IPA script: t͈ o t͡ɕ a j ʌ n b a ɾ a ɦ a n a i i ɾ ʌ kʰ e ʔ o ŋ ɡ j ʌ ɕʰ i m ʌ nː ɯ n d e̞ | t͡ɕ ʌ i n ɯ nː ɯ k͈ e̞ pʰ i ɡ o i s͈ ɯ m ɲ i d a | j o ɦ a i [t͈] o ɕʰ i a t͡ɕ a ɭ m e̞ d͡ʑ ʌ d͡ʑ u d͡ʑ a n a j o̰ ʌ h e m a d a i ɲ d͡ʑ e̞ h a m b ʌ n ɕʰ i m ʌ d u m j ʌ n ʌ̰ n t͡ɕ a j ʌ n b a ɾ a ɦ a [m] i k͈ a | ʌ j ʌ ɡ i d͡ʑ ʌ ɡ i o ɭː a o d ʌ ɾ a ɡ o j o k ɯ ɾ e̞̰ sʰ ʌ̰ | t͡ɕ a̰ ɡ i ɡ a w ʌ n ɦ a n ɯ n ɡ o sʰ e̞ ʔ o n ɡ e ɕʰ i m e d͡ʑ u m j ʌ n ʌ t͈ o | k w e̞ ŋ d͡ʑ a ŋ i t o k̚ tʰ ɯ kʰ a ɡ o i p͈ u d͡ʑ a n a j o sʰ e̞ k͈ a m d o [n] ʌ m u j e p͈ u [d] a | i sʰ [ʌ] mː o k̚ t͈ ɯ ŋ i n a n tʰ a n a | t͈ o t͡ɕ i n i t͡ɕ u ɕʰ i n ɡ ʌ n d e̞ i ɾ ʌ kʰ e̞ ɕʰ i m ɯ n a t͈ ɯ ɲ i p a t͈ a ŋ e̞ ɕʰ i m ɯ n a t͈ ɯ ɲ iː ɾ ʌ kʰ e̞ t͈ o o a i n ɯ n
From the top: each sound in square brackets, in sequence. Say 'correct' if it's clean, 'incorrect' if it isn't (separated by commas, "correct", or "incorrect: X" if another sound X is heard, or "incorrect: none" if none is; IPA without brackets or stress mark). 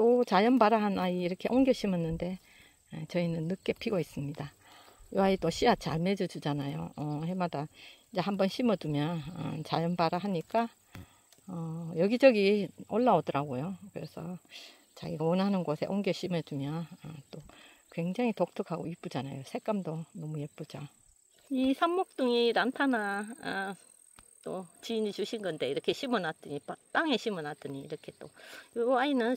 correct, incorrect: ɲ, correct, incorrect: d͡ʑ, incorrect: a